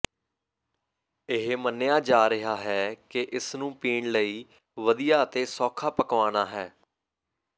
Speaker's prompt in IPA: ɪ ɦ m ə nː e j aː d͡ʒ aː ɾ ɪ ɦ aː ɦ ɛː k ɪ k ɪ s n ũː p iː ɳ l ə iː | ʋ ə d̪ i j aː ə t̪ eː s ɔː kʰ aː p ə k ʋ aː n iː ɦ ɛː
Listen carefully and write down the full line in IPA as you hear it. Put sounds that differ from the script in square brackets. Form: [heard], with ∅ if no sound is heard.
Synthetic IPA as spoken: ɪ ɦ m ə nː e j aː d͡ʒ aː ɾ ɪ ɦ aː ɦ ɛː k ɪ [ʔ] ɪ s n ũː p iː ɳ l ə iː | ʋ ə d̪ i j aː ə t̪ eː s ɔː kʰ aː p ə k ʋ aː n [aː] ɦ ɛː